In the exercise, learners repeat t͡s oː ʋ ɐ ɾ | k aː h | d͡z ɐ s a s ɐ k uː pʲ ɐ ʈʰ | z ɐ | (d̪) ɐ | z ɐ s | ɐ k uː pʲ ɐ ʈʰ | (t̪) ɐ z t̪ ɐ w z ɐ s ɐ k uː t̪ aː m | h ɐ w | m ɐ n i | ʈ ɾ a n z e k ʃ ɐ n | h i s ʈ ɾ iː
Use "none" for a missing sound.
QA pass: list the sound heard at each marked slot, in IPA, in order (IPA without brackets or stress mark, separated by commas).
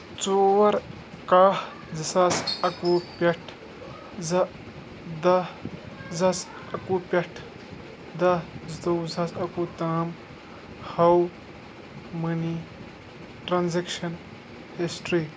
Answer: d̪, d̪